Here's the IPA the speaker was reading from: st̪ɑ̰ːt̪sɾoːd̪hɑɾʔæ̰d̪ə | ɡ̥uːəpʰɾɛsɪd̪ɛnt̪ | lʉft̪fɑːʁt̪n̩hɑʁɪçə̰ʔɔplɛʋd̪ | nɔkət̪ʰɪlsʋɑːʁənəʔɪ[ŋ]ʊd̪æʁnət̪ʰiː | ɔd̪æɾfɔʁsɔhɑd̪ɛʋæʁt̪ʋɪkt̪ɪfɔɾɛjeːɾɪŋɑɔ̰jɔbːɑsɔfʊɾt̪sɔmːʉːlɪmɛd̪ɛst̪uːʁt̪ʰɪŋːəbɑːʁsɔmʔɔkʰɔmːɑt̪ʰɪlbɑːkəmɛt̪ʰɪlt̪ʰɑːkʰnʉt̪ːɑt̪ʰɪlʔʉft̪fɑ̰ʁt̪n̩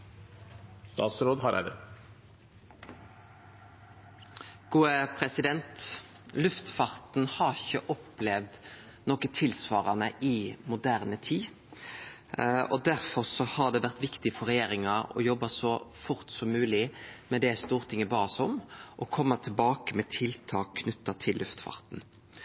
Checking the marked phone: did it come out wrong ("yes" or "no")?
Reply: yes